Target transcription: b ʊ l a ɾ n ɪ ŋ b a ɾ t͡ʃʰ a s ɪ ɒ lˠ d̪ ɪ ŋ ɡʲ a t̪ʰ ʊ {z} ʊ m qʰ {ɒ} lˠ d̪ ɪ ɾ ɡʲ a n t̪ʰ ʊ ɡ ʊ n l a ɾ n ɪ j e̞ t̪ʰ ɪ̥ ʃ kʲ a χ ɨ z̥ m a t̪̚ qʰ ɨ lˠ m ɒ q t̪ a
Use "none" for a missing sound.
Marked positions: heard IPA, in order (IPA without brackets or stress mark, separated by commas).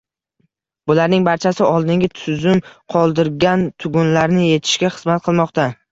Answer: z, ɒ